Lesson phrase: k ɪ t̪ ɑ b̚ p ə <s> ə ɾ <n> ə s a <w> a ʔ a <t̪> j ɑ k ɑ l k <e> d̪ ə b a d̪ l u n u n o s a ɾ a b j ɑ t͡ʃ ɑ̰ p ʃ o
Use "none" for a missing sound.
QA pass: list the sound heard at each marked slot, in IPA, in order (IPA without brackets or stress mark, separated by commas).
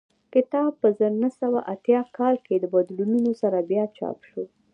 z, n, w, t̪, e